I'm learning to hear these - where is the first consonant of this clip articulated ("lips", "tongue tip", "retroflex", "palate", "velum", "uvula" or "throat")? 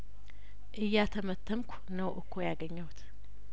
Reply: throat